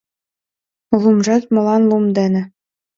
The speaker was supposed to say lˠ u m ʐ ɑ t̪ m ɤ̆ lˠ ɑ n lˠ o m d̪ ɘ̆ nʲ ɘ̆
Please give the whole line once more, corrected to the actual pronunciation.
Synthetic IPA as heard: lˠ u m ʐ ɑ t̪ m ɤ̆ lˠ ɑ n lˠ u m d̪ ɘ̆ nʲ ɘ̆

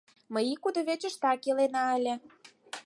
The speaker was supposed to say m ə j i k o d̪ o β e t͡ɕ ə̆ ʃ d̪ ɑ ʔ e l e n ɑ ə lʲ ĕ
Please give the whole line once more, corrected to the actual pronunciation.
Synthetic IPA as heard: m ə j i k u d̪ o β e t͡ɕ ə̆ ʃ t̪ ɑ k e l e n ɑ ə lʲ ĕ

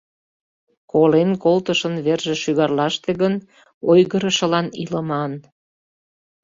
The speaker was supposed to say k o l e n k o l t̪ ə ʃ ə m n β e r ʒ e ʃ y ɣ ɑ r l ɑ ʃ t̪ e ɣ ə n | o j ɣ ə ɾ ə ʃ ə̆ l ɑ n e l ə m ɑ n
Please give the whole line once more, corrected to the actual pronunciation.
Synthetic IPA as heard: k o l e n k o l t̪ ə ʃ ə n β e r ʒ e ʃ y ɣ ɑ r l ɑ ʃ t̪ e ɣ ə n | o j ɣ ə ɾ ə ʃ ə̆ l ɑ n i l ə m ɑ n

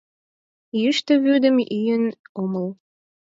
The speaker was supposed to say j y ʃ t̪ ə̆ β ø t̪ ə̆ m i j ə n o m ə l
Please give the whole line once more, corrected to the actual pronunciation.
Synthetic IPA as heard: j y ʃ t̪ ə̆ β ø d̪ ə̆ m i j ə n o m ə l

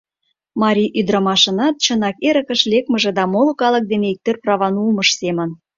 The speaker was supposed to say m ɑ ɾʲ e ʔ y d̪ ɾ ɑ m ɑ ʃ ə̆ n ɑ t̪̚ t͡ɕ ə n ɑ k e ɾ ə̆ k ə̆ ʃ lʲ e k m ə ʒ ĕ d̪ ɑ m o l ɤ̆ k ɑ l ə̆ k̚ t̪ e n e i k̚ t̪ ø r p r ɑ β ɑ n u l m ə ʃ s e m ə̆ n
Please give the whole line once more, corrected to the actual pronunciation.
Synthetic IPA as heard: m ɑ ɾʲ i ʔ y d̪ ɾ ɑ m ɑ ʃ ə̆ n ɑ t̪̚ t͡ɕ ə n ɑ k e ɾ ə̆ k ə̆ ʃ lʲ e k m ə ʒ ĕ d̪ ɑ m o l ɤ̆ k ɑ l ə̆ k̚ d̪ e n e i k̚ t̪ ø r p r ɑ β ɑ n u l m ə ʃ s e m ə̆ n

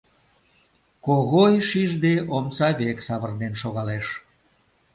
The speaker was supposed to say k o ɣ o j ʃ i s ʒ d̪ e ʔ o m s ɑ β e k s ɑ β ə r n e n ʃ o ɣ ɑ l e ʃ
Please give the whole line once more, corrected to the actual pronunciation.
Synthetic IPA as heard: k o ɣ o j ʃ i ʒ d̪ e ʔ o m s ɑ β e k s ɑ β ə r n e n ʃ o ɣ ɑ l e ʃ

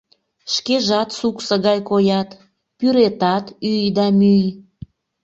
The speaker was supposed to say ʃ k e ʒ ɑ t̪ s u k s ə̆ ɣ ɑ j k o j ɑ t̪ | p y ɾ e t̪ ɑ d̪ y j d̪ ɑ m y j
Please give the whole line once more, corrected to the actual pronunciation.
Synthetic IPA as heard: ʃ k e ʒ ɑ t̪ s u k s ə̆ ɣ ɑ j k o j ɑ t̪ | p y ɾ e t̪ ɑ t̪ y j d̪ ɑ m y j

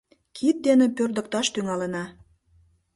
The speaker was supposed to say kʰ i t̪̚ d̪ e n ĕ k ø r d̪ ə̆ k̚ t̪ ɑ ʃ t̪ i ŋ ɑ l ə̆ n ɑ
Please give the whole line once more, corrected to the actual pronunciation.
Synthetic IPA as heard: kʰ i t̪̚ d̪ e n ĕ p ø r d̪ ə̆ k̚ t̪ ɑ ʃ t̪ y ŋ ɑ l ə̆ n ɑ

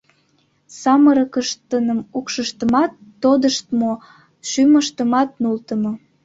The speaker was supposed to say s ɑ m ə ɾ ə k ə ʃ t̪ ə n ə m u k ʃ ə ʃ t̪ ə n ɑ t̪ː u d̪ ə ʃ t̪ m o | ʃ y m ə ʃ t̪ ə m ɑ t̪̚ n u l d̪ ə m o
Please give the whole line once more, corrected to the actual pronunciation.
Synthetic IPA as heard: s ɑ m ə ɾ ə k ə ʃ t̪ ə n ə m u k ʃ ə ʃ t̪ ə m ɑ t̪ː o d̪ ə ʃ t̪ m o | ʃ y m ə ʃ t̪ ə m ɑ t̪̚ n u l t̪ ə m o

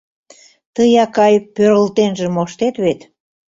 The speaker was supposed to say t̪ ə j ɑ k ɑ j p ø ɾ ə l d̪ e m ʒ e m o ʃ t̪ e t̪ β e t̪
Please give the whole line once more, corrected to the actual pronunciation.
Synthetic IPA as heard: t̪ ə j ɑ k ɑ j p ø ɾ ə l t̪ e n ʒ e m o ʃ t̪ e t̪ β e t̪

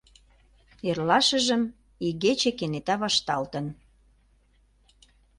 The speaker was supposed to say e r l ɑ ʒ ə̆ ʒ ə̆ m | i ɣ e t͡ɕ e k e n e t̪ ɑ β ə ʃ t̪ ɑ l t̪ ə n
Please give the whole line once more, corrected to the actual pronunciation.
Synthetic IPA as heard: e r l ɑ ʃ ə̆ ʒ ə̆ m | i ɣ e t͡ɕ e k e n e t̪ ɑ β ɑ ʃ t̪ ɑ l t̪ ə n

